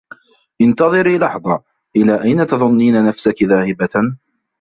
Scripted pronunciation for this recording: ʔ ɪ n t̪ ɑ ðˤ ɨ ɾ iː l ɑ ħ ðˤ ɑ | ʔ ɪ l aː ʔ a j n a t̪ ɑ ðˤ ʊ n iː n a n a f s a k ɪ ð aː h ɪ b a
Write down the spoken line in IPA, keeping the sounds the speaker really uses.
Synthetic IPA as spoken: ʔ ɪ n t̪ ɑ ðˤ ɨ ɾ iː l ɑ ħ ðˤ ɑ | ʔ ɪ l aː ʔ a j n a t̪ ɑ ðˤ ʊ nː iː n a n a f s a k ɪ ð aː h ɪ b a